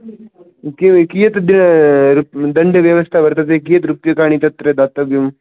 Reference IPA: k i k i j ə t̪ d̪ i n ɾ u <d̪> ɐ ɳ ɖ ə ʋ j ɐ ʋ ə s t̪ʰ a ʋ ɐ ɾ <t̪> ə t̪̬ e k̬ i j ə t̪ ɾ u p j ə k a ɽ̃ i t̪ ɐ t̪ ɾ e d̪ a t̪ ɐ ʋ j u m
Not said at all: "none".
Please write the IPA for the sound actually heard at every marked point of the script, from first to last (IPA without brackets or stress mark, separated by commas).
d̪, t̪